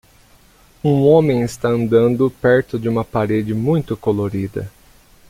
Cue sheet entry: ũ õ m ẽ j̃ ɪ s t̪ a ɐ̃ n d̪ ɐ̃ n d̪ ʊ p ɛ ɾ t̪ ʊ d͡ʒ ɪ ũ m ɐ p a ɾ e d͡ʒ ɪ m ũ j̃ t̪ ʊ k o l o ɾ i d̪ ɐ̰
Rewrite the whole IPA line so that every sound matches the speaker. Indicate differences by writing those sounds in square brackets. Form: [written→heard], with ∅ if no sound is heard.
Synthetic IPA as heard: ũ õ m ẽ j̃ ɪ s t̪ a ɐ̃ n d̪ ɐ̃ n d̪ ʊ p ɛ ɾ t̪ ʊ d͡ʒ ɪ ũ m ɐ p a ɾ e d͡ʒ ɪ m ũ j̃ t̪ ʊ k o l o ɾ i d̪ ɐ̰